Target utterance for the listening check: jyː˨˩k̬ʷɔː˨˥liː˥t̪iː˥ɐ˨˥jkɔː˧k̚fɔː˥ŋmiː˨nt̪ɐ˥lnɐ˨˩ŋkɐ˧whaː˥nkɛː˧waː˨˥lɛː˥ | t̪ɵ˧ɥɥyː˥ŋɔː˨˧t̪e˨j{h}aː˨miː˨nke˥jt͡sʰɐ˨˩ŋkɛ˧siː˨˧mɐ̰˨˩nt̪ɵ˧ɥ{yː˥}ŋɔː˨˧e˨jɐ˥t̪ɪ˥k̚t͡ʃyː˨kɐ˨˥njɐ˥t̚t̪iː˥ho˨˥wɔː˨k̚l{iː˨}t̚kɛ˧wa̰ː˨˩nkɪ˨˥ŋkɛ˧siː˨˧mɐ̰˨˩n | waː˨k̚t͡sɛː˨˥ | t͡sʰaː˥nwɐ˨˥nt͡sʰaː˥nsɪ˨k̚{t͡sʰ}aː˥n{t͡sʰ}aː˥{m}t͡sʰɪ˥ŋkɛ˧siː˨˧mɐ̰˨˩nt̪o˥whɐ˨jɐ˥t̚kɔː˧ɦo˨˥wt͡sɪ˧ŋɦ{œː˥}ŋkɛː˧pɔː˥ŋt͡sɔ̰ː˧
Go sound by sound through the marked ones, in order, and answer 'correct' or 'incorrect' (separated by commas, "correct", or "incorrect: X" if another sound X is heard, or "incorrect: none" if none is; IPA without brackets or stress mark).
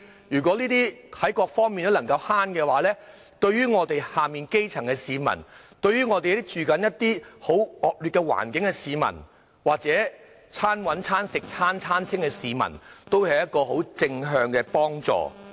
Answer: correct, correct, incorrect: yː˨, correct, correct, incorrect: n, incorrect: œː˧